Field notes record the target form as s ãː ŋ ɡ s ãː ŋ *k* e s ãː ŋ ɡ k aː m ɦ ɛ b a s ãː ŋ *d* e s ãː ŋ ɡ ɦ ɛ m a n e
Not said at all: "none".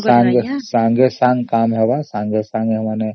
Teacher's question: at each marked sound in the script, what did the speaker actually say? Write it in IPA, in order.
ɡ, ɡ

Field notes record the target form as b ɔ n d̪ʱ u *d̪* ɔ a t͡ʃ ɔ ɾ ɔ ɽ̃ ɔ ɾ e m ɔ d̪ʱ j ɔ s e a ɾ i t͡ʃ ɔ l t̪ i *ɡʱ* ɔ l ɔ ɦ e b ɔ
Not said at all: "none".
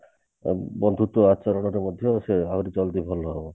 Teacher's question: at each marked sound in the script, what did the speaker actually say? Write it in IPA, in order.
t̪, bʱ

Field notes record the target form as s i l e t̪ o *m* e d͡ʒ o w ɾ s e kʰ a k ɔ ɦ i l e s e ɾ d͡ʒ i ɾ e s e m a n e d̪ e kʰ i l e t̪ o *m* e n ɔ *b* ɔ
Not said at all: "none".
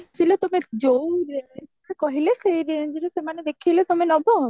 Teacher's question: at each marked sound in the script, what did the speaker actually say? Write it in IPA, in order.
m, m, b

